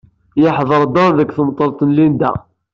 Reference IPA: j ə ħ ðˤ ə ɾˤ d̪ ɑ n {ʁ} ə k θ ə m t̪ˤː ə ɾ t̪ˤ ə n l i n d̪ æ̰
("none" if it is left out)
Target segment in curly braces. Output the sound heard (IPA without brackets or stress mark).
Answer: ð